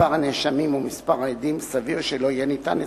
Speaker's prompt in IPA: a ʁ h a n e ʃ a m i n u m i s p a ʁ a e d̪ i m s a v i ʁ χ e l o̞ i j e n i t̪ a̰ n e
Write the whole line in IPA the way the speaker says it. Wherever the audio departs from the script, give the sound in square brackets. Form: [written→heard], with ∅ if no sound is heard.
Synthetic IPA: a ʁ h a n e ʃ a m i [n→m] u m i s p a ʁ a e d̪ i m s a v i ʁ [χ→ʃ] e l o̞ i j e n i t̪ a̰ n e